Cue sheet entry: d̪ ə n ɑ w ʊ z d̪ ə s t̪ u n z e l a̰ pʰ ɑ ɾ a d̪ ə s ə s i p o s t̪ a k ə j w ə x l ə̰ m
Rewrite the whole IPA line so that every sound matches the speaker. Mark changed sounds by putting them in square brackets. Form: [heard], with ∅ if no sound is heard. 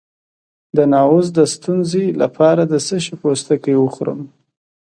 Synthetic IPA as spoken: d̪ ə n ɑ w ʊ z d̪ ə s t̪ u n z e l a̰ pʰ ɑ ɾ a d̪ ə s ə [ʃ] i p o s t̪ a k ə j w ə x [ɾ] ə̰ m